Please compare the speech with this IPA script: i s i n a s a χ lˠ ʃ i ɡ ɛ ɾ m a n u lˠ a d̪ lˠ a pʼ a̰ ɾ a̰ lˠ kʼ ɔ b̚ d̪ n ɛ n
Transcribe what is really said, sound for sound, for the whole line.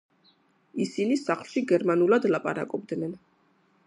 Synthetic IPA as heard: i s i n i s a χ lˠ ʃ i ɡ ɛ ɾ m a n u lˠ a d̪ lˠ a pʼ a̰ ɾ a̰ kʼ ɔ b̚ d̪ n ɛ n